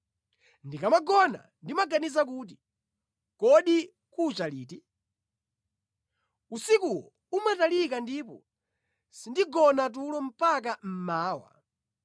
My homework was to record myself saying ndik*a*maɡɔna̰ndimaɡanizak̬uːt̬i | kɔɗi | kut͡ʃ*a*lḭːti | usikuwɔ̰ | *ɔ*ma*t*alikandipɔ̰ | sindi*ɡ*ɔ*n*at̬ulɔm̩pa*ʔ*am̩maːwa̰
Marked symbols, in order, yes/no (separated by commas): yes, yes, no, yes, yes, yes, no